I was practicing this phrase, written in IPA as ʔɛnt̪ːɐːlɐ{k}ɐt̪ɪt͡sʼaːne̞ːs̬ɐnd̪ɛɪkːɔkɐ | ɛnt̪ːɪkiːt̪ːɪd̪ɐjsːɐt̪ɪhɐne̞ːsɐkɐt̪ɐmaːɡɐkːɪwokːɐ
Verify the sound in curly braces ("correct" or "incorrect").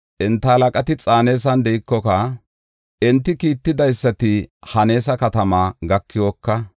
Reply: incorrect